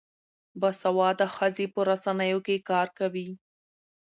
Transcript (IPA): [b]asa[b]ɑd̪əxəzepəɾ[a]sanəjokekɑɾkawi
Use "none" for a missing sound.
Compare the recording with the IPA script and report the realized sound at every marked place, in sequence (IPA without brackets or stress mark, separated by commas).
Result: b, w, a